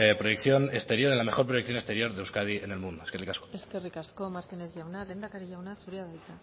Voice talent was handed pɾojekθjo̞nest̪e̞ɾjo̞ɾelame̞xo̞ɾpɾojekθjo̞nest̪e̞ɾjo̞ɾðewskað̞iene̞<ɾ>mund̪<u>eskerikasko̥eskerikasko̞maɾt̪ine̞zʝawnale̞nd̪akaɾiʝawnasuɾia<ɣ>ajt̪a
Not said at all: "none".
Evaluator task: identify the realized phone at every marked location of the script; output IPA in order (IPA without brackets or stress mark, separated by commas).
l, o, ð